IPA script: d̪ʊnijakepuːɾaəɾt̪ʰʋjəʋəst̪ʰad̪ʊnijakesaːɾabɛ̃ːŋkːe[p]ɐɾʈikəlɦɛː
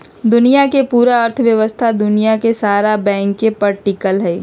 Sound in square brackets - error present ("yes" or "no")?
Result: no